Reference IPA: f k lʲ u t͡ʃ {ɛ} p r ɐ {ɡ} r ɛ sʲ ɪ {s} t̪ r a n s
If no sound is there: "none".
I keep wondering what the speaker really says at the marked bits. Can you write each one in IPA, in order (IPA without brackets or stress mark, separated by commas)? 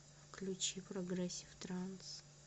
i, ɡ, f